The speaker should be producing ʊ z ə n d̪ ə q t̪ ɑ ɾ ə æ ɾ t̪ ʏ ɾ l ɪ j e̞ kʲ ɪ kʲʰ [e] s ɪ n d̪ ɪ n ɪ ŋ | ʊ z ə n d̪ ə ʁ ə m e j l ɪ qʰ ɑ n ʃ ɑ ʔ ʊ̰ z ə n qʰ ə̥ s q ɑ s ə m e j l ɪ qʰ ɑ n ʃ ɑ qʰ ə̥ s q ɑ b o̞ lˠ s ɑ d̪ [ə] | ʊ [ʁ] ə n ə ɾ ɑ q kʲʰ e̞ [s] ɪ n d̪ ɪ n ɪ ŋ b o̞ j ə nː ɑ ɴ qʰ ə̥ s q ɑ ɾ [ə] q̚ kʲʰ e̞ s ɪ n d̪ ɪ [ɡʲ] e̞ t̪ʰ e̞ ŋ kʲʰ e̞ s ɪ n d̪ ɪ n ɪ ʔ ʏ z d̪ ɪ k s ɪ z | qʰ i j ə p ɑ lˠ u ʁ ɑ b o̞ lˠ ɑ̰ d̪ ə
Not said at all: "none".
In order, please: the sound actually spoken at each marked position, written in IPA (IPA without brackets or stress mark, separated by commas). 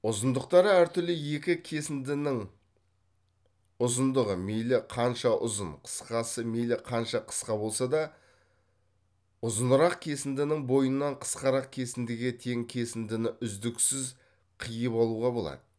e, ɑ, z, s, ɑ, ɡʲ